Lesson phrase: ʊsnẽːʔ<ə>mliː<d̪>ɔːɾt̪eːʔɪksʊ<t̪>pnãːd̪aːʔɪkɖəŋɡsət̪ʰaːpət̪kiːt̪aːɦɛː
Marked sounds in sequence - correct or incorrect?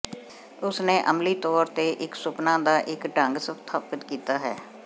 correct, incorrect, incorrect

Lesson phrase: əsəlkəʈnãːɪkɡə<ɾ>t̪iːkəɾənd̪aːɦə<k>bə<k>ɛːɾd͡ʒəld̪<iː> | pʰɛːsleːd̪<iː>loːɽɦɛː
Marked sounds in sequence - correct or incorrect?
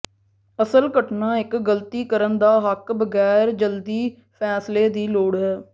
incorrect, correct, incorrect, correct, correct

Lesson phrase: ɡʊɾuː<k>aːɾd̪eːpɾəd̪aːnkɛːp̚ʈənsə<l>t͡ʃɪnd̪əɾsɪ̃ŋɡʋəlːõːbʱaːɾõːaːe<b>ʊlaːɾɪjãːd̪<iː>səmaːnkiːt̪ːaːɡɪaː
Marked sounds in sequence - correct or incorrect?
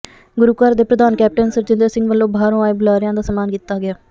correct, incorrect, correct, incorrect

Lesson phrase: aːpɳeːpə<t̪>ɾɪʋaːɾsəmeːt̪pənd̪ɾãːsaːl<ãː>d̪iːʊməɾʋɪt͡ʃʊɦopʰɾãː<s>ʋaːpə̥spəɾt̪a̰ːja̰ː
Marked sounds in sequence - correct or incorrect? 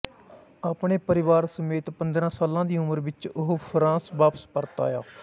incorrect, correct, correct

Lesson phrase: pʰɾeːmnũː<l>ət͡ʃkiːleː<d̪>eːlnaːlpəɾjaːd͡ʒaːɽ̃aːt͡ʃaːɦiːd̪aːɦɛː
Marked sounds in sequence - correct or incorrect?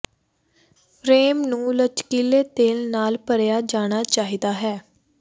correct, incorrect

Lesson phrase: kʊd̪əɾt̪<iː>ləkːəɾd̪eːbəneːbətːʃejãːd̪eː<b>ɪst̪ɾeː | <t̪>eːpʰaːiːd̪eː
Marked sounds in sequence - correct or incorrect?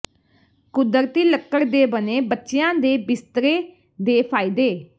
correct, correct, incorrect

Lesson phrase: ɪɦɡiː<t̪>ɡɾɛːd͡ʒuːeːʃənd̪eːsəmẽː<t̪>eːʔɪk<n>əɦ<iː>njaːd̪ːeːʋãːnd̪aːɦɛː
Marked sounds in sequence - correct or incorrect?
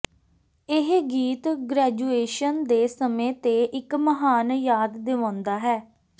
correct, correct, incorrect, incorrect

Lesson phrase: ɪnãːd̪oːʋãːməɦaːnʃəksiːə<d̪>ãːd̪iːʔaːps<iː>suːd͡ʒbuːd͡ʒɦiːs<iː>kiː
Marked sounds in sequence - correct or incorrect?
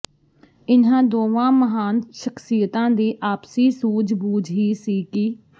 incorrect, correct, correct

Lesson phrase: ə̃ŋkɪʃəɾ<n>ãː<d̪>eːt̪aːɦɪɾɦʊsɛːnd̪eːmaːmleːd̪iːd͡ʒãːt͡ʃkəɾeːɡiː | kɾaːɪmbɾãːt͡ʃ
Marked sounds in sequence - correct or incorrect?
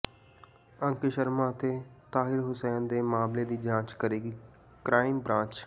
incorrect, incorrect

